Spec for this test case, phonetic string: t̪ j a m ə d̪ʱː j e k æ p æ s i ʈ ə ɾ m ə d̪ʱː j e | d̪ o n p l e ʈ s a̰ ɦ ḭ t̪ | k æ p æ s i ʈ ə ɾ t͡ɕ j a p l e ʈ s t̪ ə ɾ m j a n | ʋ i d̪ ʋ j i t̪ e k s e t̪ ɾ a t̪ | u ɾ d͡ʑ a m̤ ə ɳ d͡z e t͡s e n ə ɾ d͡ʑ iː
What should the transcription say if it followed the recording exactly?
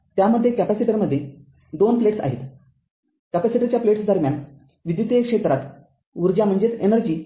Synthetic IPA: t̪ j a m ə d̪ʱː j e k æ p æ s i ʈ ə ɾ m ə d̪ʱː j e | d̪ o n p l e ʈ s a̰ ɦ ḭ t̪ | k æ p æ s i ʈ ə ɾ t͡ɕ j a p l e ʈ s d̪ ə ɾ m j a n | ʋ i d̪ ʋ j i t̪ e k ʂ e t̪ ɾ a t̪ | u ɾ d͡ʑ a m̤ ə ɳ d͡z e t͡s e n ə ɾ d͡ʑ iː